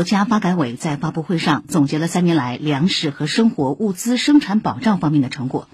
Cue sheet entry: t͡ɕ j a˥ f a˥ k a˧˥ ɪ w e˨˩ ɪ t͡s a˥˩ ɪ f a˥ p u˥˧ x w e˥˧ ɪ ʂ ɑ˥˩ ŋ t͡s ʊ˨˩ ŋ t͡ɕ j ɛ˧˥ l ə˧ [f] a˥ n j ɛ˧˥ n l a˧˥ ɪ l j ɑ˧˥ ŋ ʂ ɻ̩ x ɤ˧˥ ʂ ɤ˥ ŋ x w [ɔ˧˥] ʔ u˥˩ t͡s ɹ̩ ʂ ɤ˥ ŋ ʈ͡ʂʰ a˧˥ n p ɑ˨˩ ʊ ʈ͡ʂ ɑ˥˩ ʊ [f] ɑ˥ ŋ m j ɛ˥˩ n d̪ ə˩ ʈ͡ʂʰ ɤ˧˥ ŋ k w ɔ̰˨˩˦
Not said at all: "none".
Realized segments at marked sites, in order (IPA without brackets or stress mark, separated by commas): s, ɔ˧˥, f